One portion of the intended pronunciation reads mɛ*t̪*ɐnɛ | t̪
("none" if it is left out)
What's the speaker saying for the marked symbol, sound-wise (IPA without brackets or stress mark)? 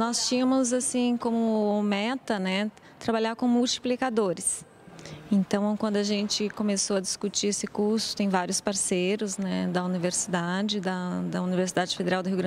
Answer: t̪